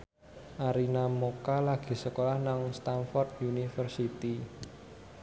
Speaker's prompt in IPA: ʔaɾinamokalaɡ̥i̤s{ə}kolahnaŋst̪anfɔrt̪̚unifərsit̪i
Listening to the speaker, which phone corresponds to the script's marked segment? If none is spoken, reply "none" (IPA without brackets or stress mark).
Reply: ə